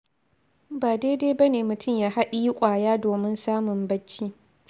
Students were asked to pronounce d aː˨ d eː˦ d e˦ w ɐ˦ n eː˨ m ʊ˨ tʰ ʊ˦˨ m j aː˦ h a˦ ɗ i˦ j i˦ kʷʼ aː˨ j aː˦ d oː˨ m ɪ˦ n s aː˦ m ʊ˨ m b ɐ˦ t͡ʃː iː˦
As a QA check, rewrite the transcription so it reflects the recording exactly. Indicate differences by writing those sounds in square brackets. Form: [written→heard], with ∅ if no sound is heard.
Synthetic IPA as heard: [d→b] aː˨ d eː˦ d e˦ [w→b] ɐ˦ n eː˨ m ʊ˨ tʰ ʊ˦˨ m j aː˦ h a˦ ɗ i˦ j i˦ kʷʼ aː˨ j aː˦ d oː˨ m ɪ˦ n s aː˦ m ʊ˨ m b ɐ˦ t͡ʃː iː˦